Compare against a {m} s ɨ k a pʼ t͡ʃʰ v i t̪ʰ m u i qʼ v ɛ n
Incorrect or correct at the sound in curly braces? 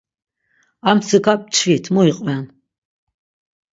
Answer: correct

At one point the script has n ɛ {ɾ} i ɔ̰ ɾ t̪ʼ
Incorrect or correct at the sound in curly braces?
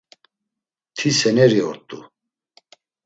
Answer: correct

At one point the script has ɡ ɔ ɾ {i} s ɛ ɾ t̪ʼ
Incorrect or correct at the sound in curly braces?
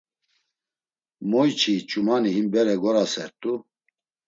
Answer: incorrect: a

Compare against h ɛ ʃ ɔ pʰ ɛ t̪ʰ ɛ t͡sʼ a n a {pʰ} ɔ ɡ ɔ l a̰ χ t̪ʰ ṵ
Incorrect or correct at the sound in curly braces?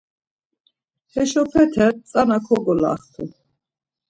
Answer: incorrect: kʰ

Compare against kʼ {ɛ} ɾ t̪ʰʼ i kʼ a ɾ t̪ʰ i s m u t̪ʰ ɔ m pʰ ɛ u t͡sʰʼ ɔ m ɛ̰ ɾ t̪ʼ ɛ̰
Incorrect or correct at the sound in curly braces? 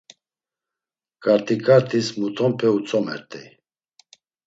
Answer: incorrect: a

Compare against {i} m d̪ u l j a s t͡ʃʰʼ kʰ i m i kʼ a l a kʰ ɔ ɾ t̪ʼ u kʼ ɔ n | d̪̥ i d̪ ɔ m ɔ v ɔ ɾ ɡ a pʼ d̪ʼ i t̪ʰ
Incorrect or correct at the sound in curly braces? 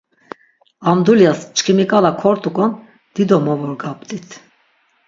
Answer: incorrect: a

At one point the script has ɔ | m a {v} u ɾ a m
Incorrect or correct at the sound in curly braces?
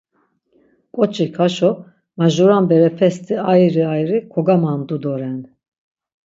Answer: incorrect: ʒ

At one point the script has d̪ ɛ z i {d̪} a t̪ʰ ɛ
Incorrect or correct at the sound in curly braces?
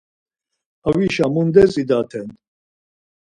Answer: correct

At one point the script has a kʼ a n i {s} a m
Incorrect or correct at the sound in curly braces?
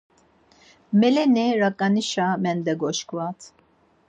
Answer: incorrect: ʃ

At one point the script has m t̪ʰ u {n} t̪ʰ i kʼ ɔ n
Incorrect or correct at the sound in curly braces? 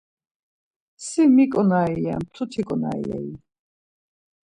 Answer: incorrect: none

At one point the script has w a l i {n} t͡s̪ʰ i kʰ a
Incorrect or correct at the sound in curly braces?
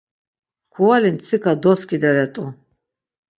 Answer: incorrect: m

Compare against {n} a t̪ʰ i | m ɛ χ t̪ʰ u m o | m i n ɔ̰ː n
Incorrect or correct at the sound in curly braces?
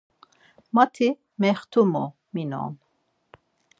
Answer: incorrect: m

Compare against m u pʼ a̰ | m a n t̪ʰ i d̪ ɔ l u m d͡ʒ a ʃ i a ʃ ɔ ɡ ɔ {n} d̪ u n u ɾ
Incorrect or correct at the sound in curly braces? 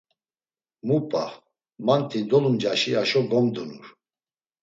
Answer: incorrect: m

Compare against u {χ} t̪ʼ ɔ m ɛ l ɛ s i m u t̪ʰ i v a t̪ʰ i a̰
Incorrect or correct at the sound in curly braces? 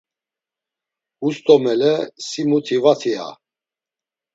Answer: incorrect: s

